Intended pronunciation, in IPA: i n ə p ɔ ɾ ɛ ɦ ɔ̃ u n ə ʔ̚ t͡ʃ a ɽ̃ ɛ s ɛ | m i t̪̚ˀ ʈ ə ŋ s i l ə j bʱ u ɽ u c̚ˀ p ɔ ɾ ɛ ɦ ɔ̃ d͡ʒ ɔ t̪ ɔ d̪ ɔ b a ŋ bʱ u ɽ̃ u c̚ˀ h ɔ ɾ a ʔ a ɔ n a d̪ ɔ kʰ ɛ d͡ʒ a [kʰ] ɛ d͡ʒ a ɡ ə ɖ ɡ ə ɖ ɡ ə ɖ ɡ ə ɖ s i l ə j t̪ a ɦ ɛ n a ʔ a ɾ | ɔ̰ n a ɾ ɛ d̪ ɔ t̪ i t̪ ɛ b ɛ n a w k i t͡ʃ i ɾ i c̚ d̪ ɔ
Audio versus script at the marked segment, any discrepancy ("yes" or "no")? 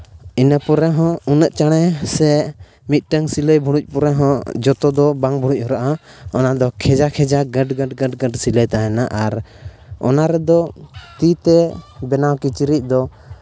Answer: no